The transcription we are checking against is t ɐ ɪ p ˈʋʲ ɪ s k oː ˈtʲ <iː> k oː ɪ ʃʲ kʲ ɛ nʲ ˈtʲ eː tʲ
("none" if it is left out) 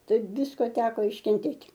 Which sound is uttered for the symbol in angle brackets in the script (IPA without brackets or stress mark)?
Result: æː